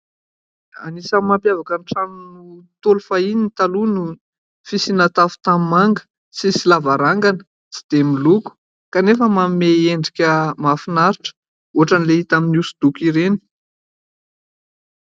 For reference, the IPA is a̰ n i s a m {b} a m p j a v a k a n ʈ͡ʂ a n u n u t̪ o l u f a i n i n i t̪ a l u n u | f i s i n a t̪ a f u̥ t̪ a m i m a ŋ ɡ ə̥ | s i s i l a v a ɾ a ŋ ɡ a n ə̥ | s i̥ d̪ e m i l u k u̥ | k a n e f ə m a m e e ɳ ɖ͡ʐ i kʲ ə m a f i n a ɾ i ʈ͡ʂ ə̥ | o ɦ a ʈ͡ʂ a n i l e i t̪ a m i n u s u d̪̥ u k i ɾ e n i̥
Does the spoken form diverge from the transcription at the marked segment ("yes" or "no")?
yes